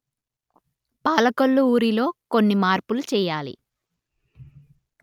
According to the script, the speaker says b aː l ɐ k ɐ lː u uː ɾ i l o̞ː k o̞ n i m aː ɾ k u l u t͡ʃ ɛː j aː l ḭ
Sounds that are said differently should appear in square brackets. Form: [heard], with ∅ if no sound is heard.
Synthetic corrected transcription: [p] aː l ɐ k ɐ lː u uː ɾ i l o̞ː k o̞ [nː] i m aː ɾ [p] u l u t͡ʃ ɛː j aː l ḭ